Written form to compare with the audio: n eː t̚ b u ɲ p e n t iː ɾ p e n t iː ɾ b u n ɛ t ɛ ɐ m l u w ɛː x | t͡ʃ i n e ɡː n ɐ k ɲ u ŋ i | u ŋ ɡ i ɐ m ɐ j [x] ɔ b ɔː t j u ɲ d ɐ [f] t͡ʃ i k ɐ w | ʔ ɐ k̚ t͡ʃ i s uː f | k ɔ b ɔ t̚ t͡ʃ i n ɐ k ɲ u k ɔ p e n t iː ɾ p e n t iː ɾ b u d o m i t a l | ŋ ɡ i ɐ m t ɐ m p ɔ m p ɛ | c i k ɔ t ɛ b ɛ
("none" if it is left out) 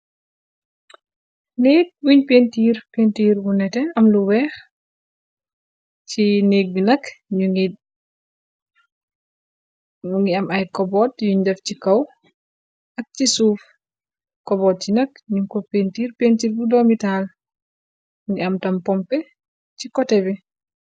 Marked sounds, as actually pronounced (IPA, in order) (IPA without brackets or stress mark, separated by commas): k, f